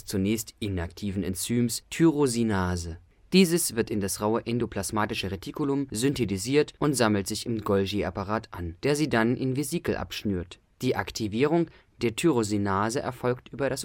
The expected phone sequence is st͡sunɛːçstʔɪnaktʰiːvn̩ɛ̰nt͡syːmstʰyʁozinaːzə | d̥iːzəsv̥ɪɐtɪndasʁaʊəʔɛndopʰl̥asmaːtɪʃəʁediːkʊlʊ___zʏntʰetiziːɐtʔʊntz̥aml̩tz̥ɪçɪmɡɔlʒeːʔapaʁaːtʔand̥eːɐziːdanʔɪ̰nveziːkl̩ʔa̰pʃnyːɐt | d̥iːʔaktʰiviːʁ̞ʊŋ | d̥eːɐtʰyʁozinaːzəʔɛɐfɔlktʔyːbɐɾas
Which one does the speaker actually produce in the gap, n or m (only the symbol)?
m